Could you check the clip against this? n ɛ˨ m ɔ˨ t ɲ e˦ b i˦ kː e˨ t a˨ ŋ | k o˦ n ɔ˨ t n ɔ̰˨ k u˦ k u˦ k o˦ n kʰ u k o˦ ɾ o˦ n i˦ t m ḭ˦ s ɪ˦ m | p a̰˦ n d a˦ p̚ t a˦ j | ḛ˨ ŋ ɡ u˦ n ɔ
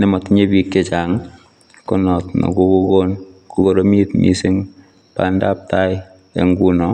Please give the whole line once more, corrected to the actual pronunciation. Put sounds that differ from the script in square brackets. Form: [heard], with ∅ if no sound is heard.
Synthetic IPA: n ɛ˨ m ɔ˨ t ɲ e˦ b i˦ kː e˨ [t͡ʃ] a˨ ŋ | k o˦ n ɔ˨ t n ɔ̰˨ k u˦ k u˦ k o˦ n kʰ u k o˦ ɾ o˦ [m] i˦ t m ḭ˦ s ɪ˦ [ŋ] | p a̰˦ n d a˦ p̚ t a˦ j | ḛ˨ ŋ ɡ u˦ n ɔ